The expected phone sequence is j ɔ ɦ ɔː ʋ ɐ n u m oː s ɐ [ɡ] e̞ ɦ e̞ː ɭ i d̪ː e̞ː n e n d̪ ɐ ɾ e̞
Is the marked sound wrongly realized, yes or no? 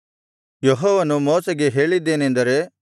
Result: no